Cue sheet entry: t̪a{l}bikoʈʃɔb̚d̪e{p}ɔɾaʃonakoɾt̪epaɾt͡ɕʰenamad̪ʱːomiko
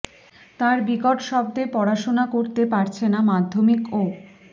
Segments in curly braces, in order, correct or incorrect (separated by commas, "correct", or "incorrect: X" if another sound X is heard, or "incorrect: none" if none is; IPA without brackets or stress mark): incorrect: ɾ, correct